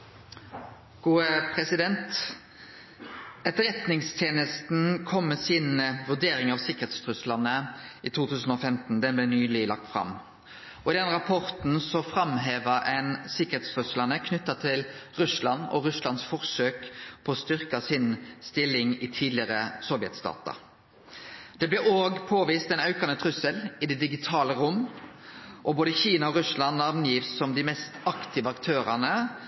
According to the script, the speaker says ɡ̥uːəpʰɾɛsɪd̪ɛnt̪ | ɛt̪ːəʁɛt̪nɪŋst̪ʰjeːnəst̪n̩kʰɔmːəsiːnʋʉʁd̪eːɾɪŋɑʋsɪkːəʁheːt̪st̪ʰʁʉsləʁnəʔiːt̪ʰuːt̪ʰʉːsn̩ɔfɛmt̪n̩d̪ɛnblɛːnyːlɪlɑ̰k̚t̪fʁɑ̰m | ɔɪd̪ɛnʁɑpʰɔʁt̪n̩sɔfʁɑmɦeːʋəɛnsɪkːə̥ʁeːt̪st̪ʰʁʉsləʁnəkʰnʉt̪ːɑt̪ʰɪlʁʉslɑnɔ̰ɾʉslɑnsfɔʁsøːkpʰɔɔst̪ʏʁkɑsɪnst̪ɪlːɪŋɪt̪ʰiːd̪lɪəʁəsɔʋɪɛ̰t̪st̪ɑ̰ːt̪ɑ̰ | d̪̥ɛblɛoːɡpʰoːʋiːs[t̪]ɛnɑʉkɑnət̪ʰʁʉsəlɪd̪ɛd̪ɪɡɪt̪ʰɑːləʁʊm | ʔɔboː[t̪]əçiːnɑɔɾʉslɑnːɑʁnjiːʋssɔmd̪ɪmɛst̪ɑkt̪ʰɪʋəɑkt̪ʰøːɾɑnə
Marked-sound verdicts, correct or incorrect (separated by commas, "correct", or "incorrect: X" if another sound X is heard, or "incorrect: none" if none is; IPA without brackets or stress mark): correct, incorrect: d̪